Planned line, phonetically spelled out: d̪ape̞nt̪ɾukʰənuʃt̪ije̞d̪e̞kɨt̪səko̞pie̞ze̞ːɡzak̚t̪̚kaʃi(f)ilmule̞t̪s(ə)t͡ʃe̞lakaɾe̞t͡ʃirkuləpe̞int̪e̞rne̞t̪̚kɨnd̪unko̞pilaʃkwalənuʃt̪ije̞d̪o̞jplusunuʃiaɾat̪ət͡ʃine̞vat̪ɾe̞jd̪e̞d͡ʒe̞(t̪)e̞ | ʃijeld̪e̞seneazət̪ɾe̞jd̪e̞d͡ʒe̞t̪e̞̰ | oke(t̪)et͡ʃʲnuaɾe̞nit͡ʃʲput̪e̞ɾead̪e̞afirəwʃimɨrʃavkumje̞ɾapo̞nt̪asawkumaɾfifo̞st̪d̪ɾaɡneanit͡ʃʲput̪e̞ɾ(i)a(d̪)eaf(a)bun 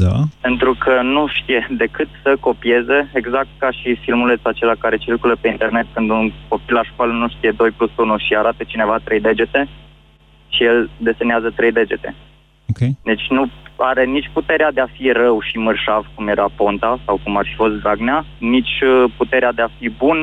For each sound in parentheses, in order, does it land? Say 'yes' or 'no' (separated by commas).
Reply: yes, no, yes, no, no, yes, no